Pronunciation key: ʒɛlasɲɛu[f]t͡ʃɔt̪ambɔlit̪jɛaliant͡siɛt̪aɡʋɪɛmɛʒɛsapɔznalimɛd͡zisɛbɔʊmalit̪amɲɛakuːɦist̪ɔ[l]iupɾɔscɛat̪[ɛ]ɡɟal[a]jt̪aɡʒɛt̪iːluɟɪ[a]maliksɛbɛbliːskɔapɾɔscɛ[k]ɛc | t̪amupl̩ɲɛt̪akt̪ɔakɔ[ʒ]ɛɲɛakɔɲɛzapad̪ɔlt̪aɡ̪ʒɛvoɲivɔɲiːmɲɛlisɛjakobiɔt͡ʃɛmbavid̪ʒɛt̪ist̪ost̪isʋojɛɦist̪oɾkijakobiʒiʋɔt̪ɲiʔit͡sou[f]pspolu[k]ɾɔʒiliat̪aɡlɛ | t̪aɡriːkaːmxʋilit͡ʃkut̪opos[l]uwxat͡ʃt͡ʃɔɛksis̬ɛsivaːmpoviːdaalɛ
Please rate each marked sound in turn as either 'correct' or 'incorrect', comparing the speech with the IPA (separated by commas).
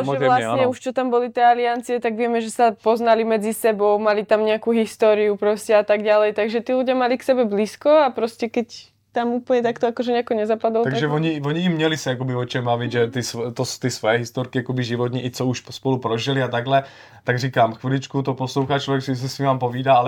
incorrect, incorrect, incorrect, incorrect, correct, correct, correct, incorrect, incorrect, correct